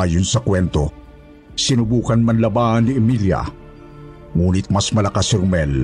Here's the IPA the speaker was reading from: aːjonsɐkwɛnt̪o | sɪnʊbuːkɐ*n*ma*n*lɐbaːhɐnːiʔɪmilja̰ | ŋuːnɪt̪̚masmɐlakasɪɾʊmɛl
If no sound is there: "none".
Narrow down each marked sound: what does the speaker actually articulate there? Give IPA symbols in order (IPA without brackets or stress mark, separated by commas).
n, n